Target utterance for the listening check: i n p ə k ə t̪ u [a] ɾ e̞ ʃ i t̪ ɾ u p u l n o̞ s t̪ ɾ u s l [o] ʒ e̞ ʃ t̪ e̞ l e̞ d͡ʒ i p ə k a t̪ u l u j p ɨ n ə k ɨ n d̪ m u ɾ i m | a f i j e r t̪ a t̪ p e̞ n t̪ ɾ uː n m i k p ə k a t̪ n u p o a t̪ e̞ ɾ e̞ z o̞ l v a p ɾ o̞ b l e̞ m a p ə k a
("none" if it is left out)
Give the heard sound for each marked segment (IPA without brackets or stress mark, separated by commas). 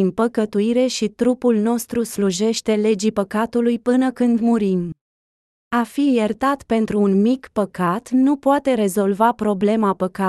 i, u